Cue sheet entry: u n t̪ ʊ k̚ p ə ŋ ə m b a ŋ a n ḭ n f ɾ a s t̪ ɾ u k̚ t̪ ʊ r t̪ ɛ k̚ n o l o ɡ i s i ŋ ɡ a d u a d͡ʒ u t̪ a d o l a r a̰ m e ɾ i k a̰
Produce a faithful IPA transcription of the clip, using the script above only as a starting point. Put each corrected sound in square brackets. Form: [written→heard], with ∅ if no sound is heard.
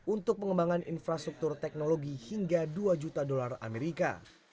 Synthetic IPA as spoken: u n t̪ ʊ k̚ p ə ŋ ə m b a ŋ a n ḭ n f ɾ a s t̪ ɾ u k̚ t̪ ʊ r t̪ ɛ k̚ n o l o ɡ i [s→h] i ŋ ɡ a d u a d͡ʒ u t̪ a d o l a r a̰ m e ɾ i k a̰